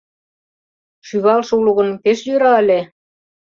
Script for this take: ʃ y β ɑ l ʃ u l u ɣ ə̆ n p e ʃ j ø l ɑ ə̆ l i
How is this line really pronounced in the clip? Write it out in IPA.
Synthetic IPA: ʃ y β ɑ l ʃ u l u ɣ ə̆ n p e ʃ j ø ɾ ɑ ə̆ l e